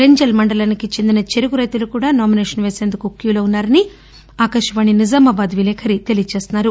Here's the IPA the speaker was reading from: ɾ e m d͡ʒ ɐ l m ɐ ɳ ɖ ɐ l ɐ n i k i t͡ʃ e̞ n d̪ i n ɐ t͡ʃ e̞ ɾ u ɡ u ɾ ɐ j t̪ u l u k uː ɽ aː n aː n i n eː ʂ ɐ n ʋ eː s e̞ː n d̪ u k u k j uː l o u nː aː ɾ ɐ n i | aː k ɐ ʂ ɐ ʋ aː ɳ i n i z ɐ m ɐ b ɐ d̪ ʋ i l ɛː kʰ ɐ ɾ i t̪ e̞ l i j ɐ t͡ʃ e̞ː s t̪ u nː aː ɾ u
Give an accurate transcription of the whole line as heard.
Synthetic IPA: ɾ e ɲ d͡ʒ ɐ l m ɐ ɳ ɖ ɐ l ɐ n i k i t͡ʃ e̞ n d̪ i n ɐ t͡ʃ e̞ ɾ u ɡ u ɾ ɐ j t̪ u l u k uː ɽ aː n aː m i n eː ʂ ɐ n ʋ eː s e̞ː n d̪ u k u k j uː l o u nː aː ɾ ɐ n i | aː k ɐ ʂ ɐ ʋ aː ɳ i n i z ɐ m ɐ b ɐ d̪ ʋ i l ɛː kʰ ɐ ɾ i t̪ e̞ l i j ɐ t͡ʃ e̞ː s t̪ u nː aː ɾ u